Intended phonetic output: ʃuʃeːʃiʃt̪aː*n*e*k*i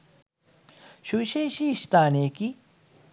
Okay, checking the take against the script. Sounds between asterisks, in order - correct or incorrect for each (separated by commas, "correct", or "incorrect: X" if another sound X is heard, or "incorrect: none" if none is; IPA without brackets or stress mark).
correct, correct